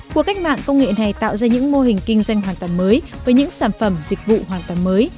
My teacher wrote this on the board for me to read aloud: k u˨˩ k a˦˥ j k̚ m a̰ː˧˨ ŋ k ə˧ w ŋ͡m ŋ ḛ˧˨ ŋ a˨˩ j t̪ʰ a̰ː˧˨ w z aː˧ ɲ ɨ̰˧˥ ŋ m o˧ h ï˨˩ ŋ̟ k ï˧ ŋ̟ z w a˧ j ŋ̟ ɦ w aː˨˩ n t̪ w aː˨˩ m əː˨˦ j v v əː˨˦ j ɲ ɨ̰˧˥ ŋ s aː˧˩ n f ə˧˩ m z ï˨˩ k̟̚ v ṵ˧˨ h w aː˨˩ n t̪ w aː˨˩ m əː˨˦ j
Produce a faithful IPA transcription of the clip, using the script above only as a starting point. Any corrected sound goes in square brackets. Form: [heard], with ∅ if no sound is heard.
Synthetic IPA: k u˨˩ k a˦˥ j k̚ m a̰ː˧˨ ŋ k ə˧ w ŋ͡m ŋ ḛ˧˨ [n] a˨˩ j [t̪] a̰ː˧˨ w z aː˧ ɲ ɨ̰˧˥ ŋ m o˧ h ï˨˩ ŋ̟ k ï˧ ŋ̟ z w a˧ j ŋ̟ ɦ w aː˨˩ n t̪ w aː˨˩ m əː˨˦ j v v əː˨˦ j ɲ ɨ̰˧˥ ŋ s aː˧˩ n f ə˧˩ m z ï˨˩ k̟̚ v ṵ˧˨ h w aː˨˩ n t̪ w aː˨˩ m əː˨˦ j